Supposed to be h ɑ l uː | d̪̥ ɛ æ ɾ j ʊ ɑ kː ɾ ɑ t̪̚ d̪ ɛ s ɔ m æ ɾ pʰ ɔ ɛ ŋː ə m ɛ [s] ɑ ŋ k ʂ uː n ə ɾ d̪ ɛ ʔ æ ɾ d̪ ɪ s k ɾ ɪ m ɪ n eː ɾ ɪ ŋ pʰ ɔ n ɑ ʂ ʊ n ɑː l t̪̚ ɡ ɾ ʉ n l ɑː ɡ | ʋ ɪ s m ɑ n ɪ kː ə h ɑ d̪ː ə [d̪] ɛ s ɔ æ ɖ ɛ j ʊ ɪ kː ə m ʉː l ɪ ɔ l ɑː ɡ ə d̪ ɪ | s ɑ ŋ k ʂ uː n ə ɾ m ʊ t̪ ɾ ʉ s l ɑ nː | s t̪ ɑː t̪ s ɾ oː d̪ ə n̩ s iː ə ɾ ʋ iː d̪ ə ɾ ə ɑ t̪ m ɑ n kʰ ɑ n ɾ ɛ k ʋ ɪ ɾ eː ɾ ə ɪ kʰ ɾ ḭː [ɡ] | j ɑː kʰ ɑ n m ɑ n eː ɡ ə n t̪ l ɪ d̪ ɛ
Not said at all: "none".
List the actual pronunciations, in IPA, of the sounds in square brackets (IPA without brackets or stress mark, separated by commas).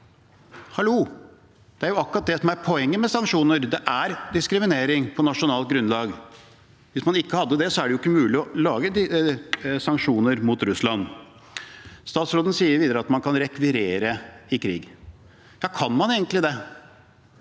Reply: s, d̪, ɡ